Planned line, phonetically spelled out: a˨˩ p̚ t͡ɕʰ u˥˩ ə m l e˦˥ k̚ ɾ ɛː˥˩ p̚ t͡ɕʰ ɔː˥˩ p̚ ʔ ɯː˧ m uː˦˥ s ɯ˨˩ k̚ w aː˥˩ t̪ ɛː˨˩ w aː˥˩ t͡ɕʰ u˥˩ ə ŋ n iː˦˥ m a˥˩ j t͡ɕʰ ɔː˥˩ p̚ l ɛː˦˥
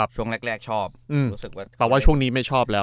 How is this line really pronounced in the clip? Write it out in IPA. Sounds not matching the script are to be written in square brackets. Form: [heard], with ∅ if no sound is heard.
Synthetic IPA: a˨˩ p̚ t͡ɕʰ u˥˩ ə [ŋ] l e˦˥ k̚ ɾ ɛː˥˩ [k̚] t͡ɕʰ ɔː˥˩ p̚ ʔ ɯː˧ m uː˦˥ s ɯ˨˩ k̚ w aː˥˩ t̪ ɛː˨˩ w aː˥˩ t͡ɕʰ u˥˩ ə ŋ n iː˦˥ m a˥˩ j t͡ɕʰ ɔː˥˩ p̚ l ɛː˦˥